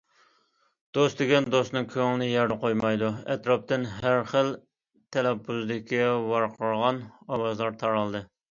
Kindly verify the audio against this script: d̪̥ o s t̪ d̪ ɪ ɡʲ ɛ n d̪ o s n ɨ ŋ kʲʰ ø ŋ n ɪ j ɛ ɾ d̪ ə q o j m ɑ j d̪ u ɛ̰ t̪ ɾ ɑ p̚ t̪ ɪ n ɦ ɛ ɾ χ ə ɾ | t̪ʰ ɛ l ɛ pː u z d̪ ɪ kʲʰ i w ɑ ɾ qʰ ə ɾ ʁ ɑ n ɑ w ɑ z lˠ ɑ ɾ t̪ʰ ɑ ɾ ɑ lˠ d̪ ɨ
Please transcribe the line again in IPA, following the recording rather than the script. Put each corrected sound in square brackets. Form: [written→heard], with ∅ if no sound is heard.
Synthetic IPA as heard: d̪̥ o s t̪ d̪ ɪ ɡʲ ɛ n d̪ o s n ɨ ŋ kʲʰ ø ŋ n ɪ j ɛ ɾ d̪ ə q o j m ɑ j d̪ u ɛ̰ t̪ ɾ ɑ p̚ t̪ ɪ n ɦ [ɛ→æ] ɾ χ ə [ɾ→l] | t̪ʰ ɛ l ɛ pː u z d̪ ɪ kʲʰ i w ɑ ɾ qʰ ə ɾ ʁ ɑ n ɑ w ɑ z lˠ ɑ ɾ t̪ʰ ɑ ɾ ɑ lˠ d̪ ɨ

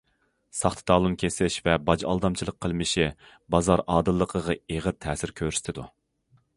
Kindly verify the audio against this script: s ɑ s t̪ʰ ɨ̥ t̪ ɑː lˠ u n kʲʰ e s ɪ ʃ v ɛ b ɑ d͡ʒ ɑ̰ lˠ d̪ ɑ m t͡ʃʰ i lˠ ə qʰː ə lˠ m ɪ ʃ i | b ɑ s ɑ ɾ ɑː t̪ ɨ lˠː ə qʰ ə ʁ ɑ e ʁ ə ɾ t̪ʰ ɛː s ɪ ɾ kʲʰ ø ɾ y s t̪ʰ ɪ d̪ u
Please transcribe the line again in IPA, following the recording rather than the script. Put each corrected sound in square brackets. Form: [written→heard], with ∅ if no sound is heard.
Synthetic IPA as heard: s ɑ [s→χ] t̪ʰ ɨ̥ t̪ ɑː lˠ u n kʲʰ e s ɪ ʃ v ɛ b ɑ d͡ʒ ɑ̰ lˠ d̪ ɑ m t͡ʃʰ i lˠ ə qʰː ə lˠ m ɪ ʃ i | b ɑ [s→z] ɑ ɾ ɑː [t̪→d̪] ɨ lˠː ə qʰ ə ʁ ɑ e ʁ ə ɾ t̪ʰ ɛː s ɪ ɾ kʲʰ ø ɾ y s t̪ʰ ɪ d̪ u

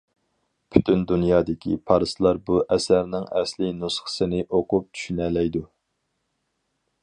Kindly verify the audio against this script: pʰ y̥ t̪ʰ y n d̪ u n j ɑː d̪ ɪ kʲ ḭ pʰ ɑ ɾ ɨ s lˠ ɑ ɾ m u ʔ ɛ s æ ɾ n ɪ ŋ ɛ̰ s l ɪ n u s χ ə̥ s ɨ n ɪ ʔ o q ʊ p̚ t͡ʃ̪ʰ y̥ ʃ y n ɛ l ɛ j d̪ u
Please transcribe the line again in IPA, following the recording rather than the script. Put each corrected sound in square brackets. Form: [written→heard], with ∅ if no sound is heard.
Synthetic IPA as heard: pʰ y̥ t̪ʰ y n d̪ u n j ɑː d̪ ɪ kʲ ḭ pʰ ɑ ɾ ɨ s lˠ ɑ ɾ [m→b] u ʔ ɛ s æ ɾ n ɪ ŋ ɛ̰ s l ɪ n u s χ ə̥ s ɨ n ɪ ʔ o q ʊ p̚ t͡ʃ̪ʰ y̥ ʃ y n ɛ l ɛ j d̪ u

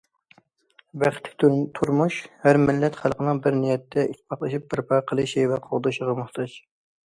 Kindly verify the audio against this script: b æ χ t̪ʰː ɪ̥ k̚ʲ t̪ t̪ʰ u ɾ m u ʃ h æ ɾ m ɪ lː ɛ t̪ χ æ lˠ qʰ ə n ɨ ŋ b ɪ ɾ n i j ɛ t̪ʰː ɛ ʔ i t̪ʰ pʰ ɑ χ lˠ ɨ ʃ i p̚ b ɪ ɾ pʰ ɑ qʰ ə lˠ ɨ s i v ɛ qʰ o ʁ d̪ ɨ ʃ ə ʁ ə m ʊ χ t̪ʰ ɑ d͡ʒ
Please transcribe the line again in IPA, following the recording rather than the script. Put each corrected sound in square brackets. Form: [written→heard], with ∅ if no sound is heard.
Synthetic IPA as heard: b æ χ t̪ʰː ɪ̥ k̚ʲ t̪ t̪ʰ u ɾ m u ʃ h æ ɾ m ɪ lː ɛ t̪ χ æ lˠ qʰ ə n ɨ ŋ b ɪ ɾ n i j ɛ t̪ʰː ɛ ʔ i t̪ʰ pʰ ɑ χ lˠ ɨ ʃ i p̚ b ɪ ɾ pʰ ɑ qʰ ə lˠ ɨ [s→ʃ] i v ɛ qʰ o ʁ d̪ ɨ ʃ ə ʁ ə m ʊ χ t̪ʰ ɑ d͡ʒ

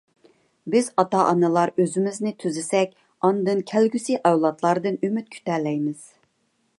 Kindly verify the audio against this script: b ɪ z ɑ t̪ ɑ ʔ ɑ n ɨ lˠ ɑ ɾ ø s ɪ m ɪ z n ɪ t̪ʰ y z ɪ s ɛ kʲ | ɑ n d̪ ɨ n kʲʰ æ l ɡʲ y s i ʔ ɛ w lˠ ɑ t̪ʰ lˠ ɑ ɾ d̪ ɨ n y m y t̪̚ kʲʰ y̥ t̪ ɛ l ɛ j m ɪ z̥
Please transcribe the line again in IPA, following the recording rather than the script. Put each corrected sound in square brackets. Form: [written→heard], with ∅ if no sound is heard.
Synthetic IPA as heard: b ɪ z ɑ t̪ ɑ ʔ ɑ n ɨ lˠ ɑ ɾ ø [s→z] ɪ m ɪ z n ɪ t̪ʰ y z ɪ s ɛ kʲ | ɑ n d̪ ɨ n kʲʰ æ l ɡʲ y s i ʔ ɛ w lˠ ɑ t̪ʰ lˠ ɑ ɾ d̪ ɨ n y m y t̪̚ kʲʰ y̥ t̪ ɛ l ɛ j m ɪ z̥

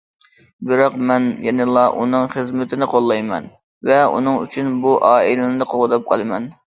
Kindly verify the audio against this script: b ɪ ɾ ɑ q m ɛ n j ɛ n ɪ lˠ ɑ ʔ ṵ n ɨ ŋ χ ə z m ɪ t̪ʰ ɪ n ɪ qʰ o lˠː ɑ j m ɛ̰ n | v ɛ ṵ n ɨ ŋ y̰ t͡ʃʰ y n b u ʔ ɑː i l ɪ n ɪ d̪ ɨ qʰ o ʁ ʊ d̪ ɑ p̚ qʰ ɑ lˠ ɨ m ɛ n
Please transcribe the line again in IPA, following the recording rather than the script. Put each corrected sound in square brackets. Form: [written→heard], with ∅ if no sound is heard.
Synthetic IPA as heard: b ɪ ɾ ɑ q m ɛ n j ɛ n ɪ lˠ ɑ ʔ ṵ n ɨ ŋ χ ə z m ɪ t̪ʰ ɪ n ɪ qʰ o lˠː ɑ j m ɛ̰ n | v ɛ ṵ n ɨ ŋ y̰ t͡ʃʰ y n b u ʔ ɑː i l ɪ n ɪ d̪ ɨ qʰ o ʁ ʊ d̪ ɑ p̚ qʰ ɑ lˠ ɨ m ɛ n

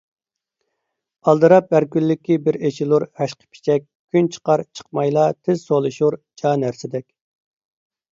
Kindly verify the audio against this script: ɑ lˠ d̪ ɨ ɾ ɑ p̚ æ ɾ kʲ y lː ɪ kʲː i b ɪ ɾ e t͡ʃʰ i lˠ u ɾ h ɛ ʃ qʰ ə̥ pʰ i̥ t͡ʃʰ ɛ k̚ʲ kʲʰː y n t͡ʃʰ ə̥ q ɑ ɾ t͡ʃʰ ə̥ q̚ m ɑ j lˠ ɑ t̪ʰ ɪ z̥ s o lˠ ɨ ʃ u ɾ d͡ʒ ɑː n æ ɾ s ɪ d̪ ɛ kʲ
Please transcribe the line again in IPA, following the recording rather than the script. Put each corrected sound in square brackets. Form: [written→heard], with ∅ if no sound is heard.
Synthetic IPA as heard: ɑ lˠ d̪ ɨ ɾ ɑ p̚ æ ɾ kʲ y lː ɪ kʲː i b ɪ ɾ e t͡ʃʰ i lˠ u ɾ h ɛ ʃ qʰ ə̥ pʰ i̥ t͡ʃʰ ɛ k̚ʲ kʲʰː y n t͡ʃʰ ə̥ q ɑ ɾ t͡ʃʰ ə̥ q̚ m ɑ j lˠ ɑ t̪ʰ ɪ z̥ s o lˠ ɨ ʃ u ɾ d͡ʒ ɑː n æ ɾ s ɪ d̪ ɛ kʲ

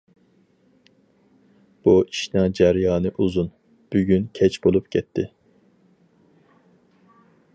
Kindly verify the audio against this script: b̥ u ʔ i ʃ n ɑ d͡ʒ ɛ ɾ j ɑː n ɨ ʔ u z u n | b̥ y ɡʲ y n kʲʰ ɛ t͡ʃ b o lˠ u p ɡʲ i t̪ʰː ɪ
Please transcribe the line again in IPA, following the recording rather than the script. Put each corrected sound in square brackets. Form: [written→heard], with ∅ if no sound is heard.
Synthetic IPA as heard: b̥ u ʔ i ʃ n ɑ d͡ʒ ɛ ɾ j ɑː n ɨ ʔ u z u n | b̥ y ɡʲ y n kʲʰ ɛ t͡ʃ b o lˠ u p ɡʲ [i→ɛ] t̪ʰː ɪ

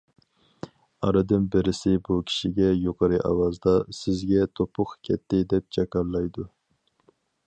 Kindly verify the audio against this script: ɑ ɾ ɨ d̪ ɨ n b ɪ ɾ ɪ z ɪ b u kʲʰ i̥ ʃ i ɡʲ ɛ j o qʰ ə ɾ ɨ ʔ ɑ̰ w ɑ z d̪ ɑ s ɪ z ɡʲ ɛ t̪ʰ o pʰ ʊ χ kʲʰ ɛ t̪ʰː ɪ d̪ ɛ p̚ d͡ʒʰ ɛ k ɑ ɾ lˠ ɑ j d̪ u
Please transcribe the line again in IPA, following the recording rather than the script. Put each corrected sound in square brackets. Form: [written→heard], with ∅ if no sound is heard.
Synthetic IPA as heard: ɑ ɾ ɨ d̪ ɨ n b ɪ ɾ ɪ [z→s] ɪ b u kʲʰ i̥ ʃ i ɡʲ ɛ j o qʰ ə ɾ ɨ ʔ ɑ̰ w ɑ z d̪ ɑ s ɪ z ɡʲ ɛ t̪ʰ o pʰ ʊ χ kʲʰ ɛ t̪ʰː ɪ d̪ ɛ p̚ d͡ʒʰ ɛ k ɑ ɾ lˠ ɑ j d̪ u

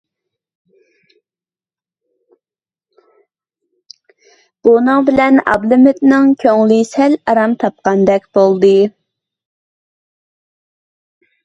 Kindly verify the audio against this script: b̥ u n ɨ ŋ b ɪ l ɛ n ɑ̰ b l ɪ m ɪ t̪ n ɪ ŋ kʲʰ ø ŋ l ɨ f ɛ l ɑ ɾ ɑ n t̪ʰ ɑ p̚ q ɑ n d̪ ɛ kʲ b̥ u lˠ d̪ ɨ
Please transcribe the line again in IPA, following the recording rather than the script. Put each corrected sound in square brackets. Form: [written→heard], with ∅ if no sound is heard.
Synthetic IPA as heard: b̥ u n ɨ ŋ b ɪ l ɛ n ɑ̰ b l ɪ m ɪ t̪ n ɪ ŋ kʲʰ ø ŋ l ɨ [f→s] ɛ l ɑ ɾ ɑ [n→m] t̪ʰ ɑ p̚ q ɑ n d̪ ɛ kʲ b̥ [u→o] lˠ d̪ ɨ

